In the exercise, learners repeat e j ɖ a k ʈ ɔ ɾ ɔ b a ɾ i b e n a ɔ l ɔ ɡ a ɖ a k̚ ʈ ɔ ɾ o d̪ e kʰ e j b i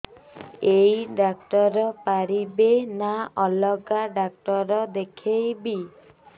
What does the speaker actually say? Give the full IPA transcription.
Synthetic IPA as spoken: e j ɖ a k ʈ ɔ ɾ ɔ p a ɾ i b e n a ɔ l ɔ ɡ a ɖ a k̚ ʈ ɔ ɾ ɔ d̪ e kʰ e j b i